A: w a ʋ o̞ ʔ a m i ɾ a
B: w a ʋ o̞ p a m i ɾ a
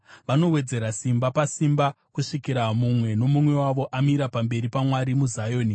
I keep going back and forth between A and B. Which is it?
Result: A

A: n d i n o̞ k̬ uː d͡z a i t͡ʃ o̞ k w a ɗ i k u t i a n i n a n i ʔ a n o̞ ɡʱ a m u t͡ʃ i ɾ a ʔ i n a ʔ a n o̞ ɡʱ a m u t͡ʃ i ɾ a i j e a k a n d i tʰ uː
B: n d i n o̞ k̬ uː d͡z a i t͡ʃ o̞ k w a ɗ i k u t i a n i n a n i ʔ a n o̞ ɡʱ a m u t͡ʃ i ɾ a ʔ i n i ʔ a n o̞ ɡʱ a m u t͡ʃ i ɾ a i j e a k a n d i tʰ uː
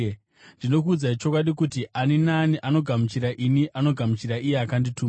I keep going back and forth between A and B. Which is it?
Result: B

